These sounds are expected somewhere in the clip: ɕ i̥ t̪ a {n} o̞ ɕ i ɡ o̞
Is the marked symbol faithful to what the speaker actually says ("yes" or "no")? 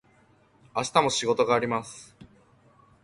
no